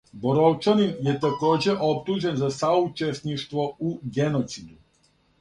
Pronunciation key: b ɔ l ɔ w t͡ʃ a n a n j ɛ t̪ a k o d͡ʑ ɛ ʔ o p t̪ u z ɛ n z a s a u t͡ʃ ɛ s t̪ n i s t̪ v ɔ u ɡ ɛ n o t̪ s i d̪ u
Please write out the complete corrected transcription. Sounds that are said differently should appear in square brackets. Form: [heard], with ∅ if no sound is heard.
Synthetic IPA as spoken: b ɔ [ɾ] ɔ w t͡ʃ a n [i] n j ɛ t̪ a k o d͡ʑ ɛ ʔ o p t̪ u [ʒ] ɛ n z a s a u t͡ʃ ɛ s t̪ n i [ʃ] t̪ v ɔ u ɡ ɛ n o t̪ s i d̪ u

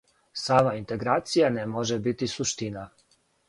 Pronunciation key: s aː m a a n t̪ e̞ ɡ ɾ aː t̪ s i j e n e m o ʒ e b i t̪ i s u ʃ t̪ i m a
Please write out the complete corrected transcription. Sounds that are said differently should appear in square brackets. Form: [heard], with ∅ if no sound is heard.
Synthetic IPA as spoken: s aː m a [i] n t̪ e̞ ɡ ɾ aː t̪ s i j [a] n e m o ʒ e b i t̪ i s u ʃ t̪ i [n] a

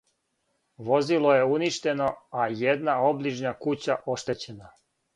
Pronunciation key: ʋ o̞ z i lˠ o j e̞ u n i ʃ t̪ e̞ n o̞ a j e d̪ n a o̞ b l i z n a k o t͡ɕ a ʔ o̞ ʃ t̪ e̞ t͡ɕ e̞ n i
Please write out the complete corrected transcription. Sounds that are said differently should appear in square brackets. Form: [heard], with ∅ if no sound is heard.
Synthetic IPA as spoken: ʋ o̞ z i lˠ o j e̞ u n i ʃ t̪ e̞ n o̞ a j e d̪ n a o̞ b l i [ʒ] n a k [u] t͡ɕ a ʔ o̞ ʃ t̪ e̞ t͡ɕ e̞ n [a]

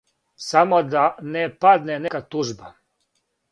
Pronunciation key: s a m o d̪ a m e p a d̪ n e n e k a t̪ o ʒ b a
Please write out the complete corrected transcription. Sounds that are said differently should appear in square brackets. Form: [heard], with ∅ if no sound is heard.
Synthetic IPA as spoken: s a m o d̪ a [n] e p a d̪ n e n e k a t̪ [u] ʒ b a

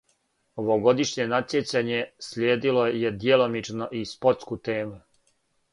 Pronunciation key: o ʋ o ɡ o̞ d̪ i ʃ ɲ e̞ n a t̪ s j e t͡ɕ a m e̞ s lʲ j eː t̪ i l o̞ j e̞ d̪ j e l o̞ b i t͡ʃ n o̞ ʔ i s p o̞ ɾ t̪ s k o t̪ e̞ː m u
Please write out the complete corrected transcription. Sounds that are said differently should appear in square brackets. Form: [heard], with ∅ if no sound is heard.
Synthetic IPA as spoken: o ʋ o ɡ o̞ d̪ i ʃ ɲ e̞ n a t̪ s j e t͡ɕ a [ɲ] e̞ s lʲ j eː [d̪] i l o̞ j e̞ d̪ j e l o̞ [m] i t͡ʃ n o̞ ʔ i s p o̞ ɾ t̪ s k [u] t̪ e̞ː m u

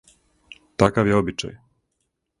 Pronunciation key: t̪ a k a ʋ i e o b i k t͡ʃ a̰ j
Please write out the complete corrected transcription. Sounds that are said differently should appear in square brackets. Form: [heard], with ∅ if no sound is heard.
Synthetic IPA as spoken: t̪ a k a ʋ [j] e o b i [∅] t͡ʃ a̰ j

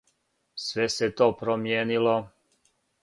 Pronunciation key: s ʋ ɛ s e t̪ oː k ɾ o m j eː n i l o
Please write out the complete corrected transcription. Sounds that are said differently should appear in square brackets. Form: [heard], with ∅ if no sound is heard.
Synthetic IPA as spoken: s ʋ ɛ s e t̪ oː [p] ɾ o m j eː n i l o

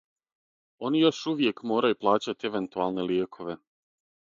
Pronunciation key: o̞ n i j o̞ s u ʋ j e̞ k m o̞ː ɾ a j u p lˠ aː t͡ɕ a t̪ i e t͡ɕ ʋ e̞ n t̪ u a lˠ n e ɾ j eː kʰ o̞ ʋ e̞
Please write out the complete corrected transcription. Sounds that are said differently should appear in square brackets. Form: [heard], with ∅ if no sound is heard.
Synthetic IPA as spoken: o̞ n i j o̞ [ʃ] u ʋ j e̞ k m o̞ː ɾ a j u p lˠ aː t͡ɕ a t̪ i e [∅] ʋ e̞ n t̪ u a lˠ n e [l] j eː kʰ o̞ ʋ e̞

